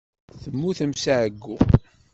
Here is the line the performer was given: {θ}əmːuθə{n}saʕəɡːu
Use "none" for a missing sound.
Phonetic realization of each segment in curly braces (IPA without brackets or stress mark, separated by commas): θ, m